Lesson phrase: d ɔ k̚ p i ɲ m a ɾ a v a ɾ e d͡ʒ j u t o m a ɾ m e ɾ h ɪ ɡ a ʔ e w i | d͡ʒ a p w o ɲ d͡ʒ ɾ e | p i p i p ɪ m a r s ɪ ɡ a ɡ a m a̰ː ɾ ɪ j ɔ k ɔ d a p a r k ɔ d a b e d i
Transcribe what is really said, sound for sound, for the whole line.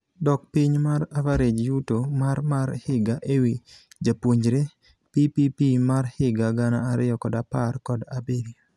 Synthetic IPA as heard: d ɔ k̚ p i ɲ m a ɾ a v a ɾ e d͡ʒ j u t o m a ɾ m a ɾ h ɪ ɡ a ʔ e w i | d͡ʒ a p w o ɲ d͡ʒ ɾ e | p i p i p i m a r h ɪ ɡ a ɡ a n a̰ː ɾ ɪ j ɔ k ɔ d a p a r k ɔ d a b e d i